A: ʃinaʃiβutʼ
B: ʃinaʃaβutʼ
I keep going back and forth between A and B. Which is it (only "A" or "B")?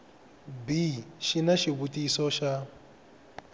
A